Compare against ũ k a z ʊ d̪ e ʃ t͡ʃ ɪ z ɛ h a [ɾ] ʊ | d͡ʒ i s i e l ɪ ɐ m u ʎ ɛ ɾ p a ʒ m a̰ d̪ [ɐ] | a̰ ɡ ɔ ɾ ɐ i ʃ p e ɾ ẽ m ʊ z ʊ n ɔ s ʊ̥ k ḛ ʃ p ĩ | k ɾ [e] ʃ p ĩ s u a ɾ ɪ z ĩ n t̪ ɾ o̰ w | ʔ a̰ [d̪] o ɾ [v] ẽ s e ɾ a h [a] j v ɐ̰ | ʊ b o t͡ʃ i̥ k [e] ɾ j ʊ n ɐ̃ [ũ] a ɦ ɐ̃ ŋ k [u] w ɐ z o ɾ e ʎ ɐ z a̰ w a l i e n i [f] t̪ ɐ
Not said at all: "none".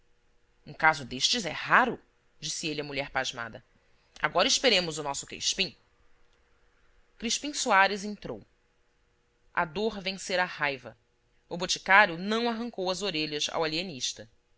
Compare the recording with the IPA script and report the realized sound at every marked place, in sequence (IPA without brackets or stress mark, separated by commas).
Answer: ɾ, ɐ, i, d̪, v, a, a, w̃, o, ʃ